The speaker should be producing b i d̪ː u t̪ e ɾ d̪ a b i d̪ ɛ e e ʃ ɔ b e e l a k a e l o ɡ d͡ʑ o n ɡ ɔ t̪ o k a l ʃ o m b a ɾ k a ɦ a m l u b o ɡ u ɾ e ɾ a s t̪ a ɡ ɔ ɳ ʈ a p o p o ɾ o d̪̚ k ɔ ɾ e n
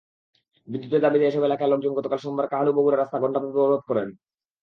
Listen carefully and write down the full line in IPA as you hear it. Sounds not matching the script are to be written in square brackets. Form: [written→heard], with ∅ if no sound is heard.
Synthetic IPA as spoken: b i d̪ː u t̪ e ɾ d̪ a b i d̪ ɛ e e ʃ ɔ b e e l a k a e l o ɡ d͡ʑ o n ɡ ɔ t̪ o k a l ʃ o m b a ɾ k a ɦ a [m→∅] l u b o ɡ u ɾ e ɾ a s t̪ a ɡ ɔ ɳ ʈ a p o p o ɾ o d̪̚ k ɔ ɾ e n